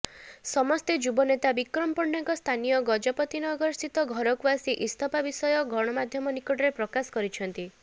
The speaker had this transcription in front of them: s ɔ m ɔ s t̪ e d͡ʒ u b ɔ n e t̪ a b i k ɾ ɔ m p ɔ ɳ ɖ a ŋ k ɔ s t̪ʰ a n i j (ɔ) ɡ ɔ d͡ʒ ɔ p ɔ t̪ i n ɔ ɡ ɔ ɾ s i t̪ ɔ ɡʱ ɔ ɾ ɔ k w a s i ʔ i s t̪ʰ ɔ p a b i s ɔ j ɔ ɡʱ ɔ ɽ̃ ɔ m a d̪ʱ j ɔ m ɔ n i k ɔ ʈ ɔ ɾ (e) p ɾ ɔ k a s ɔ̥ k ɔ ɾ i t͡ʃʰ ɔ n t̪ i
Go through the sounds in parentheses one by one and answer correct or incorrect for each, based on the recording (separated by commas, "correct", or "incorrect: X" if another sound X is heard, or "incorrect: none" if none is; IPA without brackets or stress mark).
correct, correct